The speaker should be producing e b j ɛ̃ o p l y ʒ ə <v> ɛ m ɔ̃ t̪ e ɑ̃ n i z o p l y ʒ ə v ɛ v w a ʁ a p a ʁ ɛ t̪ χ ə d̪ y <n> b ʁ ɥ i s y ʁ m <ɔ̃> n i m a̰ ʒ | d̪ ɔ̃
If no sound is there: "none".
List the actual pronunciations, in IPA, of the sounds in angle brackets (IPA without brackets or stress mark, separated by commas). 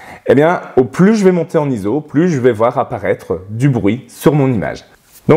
v, none, ɔ̃